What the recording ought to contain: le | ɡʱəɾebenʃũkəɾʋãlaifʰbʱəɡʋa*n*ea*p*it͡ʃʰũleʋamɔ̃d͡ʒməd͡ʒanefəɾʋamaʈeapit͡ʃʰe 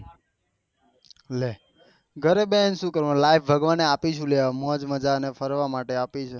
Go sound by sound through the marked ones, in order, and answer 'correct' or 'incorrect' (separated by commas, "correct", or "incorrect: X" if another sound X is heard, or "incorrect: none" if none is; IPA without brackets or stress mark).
correct, correct